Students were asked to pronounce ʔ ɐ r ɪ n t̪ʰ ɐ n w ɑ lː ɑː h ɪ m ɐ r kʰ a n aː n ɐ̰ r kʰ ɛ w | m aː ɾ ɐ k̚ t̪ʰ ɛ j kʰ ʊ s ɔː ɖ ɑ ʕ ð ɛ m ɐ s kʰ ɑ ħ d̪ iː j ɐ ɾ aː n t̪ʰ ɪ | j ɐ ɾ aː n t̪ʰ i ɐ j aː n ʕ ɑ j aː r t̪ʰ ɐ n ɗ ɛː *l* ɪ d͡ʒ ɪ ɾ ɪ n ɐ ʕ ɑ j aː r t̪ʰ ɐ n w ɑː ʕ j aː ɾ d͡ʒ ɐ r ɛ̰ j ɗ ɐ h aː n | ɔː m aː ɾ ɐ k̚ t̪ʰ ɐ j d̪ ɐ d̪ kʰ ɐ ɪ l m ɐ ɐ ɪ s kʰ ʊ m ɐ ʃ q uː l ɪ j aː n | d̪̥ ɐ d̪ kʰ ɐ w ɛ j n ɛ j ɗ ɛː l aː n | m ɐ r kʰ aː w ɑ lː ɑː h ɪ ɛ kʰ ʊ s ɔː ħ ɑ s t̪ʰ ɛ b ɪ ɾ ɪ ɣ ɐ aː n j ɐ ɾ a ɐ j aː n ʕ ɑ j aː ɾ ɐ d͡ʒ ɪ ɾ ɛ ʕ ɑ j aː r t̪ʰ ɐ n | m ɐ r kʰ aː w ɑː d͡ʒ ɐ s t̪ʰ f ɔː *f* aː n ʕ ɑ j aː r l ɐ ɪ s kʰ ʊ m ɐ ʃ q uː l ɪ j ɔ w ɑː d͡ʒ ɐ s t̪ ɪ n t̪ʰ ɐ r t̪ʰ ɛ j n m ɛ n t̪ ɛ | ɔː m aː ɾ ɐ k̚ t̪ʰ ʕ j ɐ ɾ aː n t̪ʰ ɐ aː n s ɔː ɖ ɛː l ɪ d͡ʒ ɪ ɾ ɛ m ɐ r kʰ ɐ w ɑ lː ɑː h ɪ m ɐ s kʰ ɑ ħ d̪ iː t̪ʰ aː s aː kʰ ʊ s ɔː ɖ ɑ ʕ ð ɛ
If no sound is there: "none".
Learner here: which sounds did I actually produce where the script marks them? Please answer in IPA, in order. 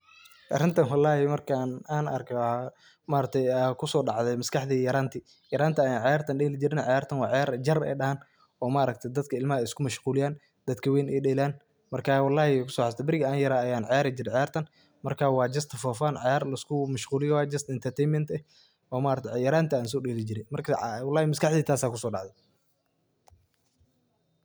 l, f

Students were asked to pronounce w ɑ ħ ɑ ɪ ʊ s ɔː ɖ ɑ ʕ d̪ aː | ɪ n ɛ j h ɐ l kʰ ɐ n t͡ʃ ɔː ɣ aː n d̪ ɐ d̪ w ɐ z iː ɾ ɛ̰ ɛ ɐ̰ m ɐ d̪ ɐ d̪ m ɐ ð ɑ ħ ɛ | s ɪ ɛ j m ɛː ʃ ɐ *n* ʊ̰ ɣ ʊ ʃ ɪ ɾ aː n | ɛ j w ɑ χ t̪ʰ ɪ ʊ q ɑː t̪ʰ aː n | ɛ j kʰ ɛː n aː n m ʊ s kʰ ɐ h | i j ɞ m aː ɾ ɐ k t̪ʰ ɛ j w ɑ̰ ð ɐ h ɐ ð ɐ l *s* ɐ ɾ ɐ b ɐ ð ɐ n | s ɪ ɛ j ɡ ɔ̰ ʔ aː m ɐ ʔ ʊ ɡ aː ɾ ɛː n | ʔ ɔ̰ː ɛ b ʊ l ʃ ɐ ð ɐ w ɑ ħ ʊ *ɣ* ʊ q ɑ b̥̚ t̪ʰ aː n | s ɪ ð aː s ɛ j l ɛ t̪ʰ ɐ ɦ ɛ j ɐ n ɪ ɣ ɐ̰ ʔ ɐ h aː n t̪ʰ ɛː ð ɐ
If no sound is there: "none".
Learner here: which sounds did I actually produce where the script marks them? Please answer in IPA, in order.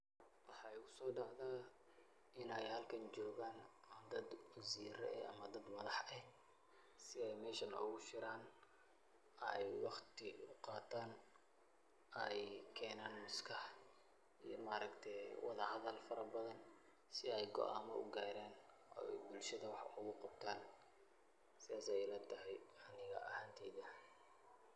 n, f, ɣ

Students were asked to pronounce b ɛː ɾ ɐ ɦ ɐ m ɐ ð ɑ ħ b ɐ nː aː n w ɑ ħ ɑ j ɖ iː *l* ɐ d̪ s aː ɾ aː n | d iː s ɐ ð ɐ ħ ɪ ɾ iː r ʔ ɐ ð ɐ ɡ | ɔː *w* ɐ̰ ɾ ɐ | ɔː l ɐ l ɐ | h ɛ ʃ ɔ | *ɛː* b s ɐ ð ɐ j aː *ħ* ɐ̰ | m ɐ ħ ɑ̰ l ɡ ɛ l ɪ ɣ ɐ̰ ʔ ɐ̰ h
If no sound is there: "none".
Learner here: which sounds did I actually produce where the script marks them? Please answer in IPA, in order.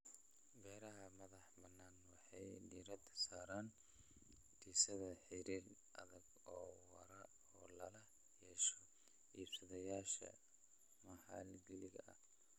ɾ, w, iː, ʃ

